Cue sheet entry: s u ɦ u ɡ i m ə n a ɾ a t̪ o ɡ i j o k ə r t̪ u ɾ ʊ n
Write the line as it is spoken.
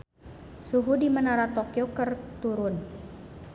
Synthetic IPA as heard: s u ɦ u d i m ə n a ɾ a t̪ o k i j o k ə r t̪ u ɾ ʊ n